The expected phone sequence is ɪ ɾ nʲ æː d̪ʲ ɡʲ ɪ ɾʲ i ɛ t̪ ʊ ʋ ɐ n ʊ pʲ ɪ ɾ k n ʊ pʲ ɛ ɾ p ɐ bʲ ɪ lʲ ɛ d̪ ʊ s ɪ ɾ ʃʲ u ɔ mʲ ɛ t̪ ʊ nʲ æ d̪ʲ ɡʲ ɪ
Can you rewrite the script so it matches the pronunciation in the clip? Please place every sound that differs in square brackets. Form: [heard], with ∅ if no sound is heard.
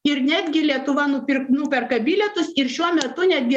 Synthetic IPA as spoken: ɪ ɾ nʲ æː d̪ʲ ɡʲ ɪ [lʲ] i ɛ t̪ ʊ ʋ ɐ n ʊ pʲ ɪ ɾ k n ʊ pʲ ɛ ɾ [k] ɐ bʲ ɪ lʲ ɛ [t̪] ʊ s ɪ ɾ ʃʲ u ɔ mʲ ɛ t̪ ʊ nʲ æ d̪ʲ ɡʲ ɪ